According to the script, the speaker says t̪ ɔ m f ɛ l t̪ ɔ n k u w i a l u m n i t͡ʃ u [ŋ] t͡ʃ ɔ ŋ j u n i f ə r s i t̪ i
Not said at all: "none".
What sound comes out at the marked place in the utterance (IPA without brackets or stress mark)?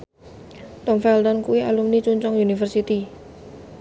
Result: ɲ